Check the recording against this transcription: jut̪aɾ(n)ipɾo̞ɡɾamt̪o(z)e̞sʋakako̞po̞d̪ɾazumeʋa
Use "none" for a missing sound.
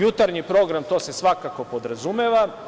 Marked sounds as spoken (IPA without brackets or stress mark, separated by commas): ɲ, s